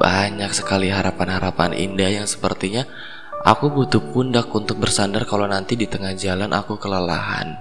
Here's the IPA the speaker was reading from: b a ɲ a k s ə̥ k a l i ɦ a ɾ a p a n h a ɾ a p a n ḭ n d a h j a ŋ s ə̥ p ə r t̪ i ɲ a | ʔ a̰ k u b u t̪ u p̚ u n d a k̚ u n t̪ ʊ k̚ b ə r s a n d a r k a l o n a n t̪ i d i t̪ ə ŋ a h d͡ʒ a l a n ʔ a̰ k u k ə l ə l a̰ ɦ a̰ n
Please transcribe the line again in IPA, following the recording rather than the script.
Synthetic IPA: b a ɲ a k s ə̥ k a l i ɦ a ɾ a p a n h a ɾ a p a n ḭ n d a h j a ŋ s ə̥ p ə r t̪ i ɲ a | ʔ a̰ k u b u t̪ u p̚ u n d a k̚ u n t̪ ʊ k̚ b ə r s a n d a r k a l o n a n t̪ i d i t̪ ə ŋ a h d͡ʒ a l a n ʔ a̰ k u k ə l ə l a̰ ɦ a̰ n